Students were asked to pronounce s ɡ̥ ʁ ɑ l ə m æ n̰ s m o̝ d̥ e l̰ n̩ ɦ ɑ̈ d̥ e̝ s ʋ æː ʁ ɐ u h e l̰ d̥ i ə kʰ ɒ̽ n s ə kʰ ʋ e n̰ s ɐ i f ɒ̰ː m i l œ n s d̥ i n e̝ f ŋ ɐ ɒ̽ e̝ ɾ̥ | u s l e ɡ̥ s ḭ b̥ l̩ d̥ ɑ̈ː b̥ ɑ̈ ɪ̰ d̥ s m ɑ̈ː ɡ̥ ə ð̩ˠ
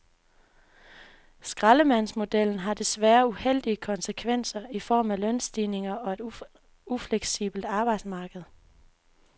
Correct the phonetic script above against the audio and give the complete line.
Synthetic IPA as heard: s ɡ̥ ʁ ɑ l ə m æ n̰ s m o̝ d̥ e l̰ n̩ ɦ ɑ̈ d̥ e̝ s ʋ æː ɐ u h e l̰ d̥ i ə kʰ ɒ̽ n s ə kʰ ʋ e n̰ s ɐ i f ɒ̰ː m æ l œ n s d̥ i n e̝ ŋ ɐ ɒ̽ e̝ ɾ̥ | u f l e ɡ̥ s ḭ b̥ l̩ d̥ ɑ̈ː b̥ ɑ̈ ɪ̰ d̥ s m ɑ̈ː ɡ̥ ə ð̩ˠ